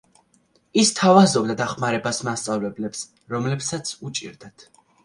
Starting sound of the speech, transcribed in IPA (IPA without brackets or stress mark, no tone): i